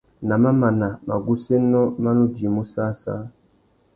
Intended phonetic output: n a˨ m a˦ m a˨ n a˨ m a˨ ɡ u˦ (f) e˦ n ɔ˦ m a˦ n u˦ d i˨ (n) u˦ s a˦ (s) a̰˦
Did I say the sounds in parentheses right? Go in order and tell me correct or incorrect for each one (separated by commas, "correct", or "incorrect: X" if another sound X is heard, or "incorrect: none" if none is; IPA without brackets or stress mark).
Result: incorrect: s, incorrect: m, correct